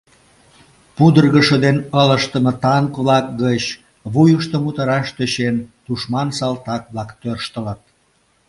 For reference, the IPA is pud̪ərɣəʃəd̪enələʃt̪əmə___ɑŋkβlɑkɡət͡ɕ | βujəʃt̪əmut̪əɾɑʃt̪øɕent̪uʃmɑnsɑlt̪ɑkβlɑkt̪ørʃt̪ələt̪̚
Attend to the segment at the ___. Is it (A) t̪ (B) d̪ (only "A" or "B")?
A